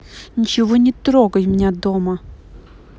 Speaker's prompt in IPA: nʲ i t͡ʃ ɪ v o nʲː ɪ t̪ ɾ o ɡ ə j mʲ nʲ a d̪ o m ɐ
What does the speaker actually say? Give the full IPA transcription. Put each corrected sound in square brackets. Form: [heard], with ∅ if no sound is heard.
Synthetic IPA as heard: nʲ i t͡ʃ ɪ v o [nʲ] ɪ t̪ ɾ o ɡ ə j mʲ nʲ a d̪ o m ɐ